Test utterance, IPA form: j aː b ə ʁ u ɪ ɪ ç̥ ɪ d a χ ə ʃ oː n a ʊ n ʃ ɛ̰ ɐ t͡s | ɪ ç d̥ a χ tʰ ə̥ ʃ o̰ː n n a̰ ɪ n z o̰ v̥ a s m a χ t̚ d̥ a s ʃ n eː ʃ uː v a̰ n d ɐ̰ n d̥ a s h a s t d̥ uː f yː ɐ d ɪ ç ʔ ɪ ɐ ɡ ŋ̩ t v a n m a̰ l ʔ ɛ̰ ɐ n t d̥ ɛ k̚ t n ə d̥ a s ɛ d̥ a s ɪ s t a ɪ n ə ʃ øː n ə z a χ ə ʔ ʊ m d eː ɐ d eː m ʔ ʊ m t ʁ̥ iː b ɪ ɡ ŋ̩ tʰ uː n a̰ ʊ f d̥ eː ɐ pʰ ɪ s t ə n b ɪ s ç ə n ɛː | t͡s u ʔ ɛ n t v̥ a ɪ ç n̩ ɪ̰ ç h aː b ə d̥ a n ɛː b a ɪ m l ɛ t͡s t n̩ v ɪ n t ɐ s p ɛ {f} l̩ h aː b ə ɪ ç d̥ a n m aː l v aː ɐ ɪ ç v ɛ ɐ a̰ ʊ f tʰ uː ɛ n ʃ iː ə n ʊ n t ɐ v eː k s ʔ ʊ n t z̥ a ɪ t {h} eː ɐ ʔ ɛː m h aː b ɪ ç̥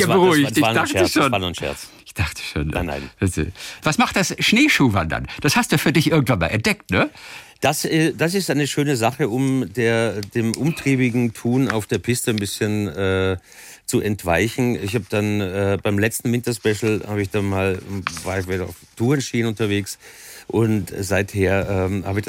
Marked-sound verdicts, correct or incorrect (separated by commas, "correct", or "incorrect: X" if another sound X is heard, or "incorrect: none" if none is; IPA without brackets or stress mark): incorrect: ʃ, correct